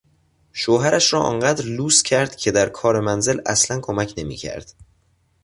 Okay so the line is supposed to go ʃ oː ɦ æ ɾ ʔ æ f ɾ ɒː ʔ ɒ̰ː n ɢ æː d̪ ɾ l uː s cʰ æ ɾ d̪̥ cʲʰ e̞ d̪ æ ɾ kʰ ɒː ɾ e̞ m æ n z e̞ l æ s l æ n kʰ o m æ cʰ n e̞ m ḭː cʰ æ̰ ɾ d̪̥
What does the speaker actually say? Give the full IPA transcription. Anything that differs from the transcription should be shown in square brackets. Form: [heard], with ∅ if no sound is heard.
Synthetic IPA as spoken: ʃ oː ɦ æ ɾ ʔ æ [ʃ] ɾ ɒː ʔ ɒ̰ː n ɢ æː d̪ ɾ l uː s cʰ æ ɾ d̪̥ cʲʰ e̞ d̪ æ ɾ kʰ ɒː ɾ e̞ m æ n z e̞ l æ s l æ n kʰ o m æ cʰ n e̞ m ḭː cʰ æ̰ ɾ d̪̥